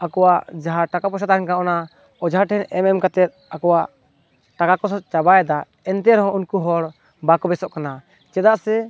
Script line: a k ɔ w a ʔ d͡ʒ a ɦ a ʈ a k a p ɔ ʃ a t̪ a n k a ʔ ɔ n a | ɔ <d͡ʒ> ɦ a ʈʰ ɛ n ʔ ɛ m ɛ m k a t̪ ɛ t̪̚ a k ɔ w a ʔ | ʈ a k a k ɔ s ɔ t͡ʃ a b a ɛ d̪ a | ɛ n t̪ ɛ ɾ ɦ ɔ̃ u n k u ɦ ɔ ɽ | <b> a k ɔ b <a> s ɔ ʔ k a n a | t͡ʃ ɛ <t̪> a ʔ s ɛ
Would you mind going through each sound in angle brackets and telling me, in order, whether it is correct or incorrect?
correct, correct, incorrect: ɛ, incorrect: d̪

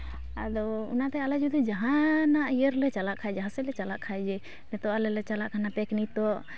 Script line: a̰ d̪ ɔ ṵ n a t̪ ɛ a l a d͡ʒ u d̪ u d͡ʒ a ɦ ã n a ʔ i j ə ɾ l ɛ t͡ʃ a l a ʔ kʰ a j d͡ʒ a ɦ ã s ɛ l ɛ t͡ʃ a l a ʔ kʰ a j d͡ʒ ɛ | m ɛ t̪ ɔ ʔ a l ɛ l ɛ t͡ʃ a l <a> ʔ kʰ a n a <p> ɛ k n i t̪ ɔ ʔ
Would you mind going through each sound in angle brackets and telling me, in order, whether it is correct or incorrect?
correct, correct

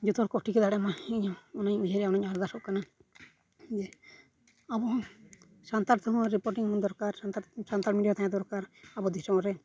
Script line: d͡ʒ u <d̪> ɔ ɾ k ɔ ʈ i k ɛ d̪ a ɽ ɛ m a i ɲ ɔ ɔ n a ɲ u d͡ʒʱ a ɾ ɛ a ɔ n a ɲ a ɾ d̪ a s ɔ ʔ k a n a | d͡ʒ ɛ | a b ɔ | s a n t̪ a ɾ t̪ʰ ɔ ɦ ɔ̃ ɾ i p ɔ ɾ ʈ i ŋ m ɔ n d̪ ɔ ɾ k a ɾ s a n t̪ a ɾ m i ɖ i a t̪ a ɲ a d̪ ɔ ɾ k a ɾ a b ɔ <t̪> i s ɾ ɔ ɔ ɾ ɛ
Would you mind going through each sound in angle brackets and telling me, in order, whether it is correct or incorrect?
incorrect: t̪, incorrect: d̪

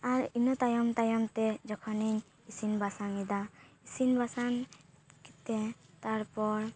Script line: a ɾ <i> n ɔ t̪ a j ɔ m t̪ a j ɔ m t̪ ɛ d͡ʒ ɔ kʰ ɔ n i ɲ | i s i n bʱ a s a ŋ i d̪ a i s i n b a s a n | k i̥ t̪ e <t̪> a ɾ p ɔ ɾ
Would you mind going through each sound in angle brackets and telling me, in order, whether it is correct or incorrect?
correct, correct

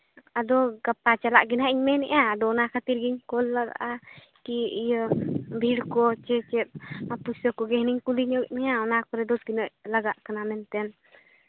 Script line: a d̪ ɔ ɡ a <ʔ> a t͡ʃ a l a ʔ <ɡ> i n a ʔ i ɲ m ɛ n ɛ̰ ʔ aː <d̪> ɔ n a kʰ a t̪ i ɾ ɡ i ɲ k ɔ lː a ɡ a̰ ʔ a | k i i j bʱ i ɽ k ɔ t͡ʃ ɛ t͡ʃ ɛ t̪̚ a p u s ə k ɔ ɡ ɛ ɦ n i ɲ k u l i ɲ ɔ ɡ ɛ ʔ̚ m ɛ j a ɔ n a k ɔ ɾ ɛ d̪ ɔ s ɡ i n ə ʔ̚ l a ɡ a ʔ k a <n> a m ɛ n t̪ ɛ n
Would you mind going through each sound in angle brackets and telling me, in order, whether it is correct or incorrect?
incorrect: p, correct, correct, correct

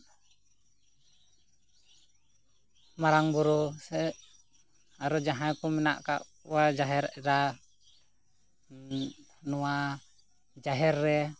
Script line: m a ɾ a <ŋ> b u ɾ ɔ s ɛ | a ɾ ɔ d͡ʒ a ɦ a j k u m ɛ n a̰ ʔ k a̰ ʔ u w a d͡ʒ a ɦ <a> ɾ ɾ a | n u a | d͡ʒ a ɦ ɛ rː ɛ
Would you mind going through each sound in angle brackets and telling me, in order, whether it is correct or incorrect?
correct, incorrect: ɛ

